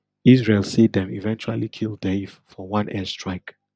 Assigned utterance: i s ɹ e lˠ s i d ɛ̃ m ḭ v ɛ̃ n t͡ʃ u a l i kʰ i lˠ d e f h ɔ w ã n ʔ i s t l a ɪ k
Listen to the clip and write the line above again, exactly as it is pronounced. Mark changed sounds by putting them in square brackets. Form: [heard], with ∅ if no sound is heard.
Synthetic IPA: i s ɹ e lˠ s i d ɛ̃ m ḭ v ɛ̃ n t͡ʃ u a l i kʰ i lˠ d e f [f] ɔ w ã n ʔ [ɛ] s t [ɹ] a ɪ k